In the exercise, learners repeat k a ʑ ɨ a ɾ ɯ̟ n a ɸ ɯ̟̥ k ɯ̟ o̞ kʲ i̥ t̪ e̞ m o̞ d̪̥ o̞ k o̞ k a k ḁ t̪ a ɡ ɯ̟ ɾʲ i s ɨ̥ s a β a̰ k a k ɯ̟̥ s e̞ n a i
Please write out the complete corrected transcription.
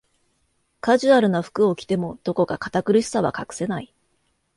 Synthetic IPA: k a ʑ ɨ a ɾ ɯ̟ n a ɸ ɯ̟̥ k ɯ̟ o̞ kʲ i̥ t̪ e̞ m o̞ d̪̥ o̞ k o̞ k a k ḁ t̪ a k ɯ̟ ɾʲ i s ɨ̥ s a β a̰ k a k ɯ̟̥ s e̞ n a i